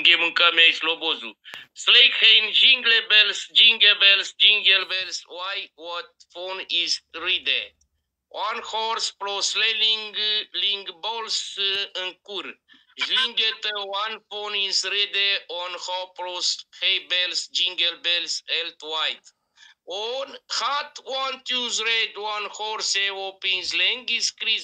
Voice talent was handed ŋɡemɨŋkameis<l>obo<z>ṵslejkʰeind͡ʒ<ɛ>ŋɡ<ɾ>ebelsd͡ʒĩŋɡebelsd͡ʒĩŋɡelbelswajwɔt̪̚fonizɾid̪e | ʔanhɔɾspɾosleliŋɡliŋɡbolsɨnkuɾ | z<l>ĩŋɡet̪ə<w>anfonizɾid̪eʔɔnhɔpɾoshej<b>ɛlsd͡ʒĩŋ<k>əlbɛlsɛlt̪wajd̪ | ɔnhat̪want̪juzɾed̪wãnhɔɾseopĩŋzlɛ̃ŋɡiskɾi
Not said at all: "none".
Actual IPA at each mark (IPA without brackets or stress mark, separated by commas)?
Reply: l, z, i, l, l, w, b, ɡ